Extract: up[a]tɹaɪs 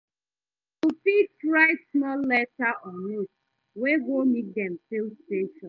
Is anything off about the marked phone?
yes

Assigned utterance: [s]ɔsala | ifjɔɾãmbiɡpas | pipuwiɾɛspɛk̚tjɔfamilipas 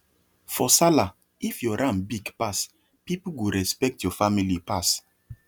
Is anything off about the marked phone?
yes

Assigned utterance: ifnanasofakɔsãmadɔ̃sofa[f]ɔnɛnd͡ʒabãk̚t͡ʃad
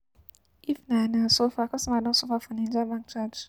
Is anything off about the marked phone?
no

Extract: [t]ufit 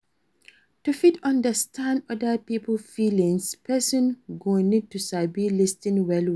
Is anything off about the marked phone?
no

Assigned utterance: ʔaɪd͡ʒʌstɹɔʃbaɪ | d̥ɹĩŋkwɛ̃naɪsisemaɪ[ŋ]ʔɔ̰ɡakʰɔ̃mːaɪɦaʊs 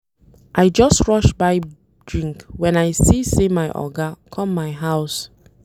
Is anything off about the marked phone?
yes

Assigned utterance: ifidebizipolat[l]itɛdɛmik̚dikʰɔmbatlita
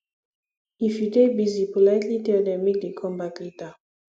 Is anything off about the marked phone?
no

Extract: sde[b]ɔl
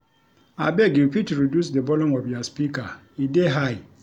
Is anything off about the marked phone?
no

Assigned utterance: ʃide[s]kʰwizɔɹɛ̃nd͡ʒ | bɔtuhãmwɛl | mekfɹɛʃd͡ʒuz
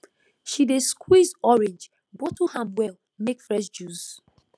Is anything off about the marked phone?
no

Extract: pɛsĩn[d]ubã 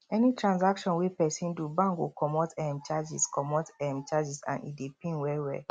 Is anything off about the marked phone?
no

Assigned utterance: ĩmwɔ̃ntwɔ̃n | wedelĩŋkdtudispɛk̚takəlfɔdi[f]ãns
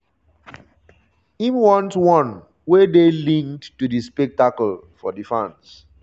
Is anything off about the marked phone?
no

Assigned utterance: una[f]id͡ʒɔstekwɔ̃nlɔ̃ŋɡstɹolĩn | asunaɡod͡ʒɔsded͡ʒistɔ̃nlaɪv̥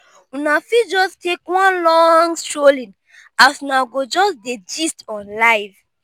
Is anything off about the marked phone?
no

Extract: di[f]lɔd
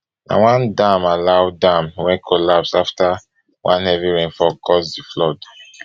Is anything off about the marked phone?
no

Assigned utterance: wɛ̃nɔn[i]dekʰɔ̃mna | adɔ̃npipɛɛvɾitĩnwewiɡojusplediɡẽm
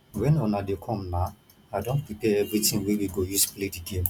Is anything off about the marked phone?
yes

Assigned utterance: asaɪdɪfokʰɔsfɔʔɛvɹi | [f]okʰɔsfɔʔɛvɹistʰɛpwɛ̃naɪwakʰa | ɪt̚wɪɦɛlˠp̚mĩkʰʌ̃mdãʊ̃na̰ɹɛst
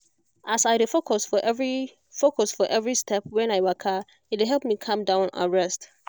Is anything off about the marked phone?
no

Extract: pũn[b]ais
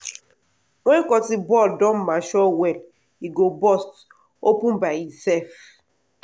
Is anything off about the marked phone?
no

